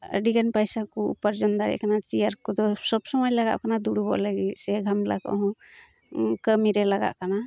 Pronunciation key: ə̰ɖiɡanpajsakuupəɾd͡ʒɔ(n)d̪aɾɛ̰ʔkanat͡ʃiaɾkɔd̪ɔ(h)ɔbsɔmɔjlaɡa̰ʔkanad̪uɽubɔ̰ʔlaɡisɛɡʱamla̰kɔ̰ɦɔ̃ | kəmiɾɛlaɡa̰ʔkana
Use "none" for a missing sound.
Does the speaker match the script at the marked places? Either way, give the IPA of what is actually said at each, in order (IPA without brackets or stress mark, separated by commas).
n, s